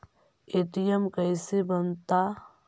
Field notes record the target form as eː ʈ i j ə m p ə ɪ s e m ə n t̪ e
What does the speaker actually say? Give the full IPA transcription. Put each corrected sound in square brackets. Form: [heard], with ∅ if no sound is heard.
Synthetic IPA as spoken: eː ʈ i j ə m [k] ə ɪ s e [b] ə n t̪ [a]

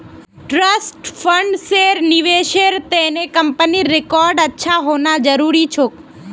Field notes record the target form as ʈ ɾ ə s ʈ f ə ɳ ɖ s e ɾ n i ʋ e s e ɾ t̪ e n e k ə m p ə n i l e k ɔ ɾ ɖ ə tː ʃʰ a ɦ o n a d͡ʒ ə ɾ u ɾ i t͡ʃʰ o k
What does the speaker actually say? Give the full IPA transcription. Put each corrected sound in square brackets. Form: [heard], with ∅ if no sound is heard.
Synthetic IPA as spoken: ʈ ɾ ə s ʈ f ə ɳ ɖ s e ɾ n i ʋ e [ʃ] e ɾ t̪ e n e k ə m p ə n i [ɾ] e k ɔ ɾ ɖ ə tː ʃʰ a ɦ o n a d͡ʒ ə ɾ u ɾ i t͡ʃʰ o k

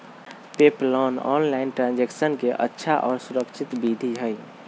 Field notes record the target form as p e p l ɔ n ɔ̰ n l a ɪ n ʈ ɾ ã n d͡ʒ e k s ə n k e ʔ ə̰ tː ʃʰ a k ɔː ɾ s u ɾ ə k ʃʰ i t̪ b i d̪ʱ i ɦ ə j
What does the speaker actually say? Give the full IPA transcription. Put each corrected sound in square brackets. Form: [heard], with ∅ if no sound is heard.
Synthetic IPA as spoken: p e p l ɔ n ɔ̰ n l a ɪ n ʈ ɾ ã n d͡ʒ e k s ə n k e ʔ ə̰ tː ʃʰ a [ʔ] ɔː ɾ s u ɾ ə k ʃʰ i t̪ b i d̪ʱ i ɦ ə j

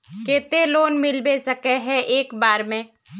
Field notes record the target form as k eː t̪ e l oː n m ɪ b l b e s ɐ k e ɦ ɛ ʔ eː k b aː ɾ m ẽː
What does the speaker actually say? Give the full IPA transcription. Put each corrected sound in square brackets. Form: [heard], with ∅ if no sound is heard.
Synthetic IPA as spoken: k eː t̪ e l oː n m ɪ [∅] l b e s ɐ k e ɦ ɛ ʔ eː k b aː ɾ m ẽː

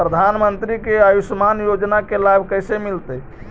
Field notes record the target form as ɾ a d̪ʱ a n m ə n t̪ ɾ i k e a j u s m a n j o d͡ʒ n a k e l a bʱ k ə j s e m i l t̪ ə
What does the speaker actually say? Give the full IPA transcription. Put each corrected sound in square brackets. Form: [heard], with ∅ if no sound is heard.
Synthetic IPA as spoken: ɾ [ə] d̪ʱ a n m ə n t̪ ɾ i k e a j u s m a n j o d͡ʒ n a k e l a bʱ k ə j s e m i l t̪ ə

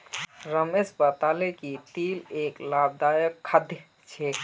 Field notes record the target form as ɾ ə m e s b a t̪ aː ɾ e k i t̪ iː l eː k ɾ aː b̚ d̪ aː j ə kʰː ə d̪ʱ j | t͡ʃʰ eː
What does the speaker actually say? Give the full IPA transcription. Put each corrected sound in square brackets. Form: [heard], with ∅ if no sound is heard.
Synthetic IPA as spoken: ɾ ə m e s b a t̪ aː [l] e k i t̪ iː l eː k [l] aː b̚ d̪ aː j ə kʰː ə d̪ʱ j | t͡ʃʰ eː

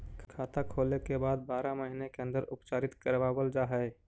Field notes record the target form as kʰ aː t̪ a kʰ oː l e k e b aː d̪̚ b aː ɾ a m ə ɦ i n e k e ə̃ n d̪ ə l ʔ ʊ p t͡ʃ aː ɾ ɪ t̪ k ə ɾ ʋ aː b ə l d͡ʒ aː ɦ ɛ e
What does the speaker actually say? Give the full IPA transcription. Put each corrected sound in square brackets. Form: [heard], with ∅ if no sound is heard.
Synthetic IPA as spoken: kʰ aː t̪ a kʰ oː l e k e b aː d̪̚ b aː ɾ a m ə ɦ i n e k e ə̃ n d̪ ə [ɾ] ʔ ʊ p t͡ʃ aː ɾ ɪ t̪ k ə ɾ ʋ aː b ə l d͡ʒ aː ɦ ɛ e

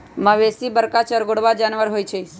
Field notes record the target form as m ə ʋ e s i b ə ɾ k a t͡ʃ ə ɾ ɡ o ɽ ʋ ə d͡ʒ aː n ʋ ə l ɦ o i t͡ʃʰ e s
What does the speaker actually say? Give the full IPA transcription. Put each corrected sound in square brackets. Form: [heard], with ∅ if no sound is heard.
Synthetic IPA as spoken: m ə ʋ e s i b ə ɾ k a t͡ʃ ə ɾ ɡ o ɽ ʋ [a] d͡ʒ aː n ʋ ə [ɾ] ɦ o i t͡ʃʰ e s

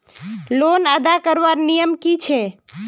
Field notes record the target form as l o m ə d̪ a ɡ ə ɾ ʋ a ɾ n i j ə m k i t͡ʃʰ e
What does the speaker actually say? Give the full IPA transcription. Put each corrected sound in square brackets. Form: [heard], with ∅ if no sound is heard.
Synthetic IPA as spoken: l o [n] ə d̪ a [k] ə ɾ ʋ a ɾ n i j ə m k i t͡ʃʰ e

